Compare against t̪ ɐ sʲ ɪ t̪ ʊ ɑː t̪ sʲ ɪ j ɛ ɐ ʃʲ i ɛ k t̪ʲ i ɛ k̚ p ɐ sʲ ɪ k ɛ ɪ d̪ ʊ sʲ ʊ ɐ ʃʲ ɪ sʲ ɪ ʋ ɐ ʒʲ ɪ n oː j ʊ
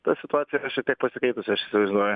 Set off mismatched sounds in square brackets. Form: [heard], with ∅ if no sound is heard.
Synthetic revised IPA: t̪ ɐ sʲ ɪ t̪ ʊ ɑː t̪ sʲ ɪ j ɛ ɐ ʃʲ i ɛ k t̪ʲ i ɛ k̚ p ɐ sʲ ɪ k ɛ ɪ [t̪] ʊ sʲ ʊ ɐ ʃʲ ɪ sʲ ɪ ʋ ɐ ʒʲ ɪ n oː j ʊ